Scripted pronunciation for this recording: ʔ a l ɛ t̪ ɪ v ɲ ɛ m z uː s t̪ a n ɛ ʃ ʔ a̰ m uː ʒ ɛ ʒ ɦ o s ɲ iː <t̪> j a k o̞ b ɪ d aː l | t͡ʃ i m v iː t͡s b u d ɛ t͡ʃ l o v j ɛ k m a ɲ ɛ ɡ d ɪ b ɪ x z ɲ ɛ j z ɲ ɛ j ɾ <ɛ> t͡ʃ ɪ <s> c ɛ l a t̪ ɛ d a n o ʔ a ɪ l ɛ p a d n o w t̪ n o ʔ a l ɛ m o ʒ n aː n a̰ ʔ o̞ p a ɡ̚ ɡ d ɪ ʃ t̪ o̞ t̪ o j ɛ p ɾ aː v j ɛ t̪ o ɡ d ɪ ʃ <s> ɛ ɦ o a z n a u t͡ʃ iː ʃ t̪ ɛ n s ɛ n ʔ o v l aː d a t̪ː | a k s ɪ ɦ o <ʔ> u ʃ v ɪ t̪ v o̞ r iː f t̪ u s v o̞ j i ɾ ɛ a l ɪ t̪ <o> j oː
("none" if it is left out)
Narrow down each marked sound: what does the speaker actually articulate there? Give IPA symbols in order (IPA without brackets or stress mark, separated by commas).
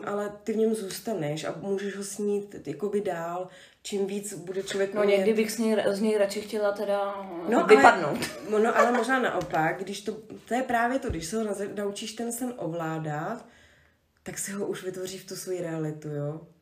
t̪, a, x, s, ʔ, u